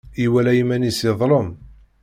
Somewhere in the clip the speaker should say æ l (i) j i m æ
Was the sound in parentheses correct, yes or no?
no